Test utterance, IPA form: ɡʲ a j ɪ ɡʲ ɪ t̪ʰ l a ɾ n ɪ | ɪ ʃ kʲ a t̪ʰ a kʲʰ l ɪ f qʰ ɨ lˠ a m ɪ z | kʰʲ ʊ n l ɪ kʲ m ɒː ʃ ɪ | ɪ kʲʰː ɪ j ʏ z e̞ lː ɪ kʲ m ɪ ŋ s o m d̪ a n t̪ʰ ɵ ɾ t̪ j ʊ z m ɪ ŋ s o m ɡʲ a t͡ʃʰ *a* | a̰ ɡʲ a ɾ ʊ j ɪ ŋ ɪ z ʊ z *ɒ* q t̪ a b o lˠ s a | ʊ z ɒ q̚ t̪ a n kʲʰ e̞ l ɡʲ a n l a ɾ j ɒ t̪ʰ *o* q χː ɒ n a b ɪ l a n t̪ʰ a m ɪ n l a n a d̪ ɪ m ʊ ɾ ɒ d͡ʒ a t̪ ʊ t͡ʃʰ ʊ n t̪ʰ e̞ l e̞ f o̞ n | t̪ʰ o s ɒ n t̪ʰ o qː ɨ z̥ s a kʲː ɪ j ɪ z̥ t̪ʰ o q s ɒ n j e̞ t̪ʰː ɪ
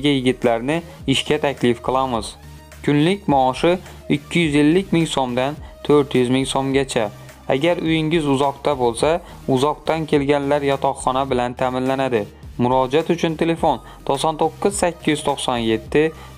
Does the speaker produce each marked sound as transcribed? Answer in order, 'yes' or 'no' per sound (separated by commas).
yes, yes, no